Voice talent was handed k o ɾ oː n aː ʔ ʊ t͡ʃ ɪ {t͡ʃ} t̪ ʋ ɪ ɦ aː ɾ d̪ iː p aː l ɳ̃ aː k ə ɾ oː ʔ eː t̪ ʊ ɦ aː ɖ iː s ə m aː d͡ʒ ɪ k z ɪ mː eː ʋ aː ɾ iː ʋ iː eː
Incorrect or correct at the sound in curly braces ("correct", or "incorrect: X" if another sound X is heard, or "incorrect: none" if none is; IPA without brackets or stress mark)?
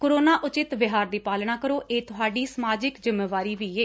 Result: incorrect: none